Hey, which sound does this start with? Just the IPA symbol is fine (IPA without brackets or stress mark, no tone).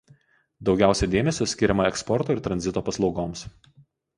d̪